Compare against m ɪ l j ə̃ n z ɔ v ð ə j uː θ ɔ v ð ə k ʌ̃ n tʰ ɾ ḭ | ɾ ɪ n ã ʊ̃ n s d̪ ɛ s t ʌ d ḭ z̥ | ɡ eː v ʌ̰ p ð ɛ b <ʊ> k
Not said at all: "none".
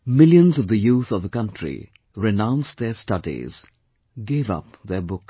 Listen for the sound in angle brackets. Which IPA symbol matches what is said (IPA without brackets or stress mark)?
ʊ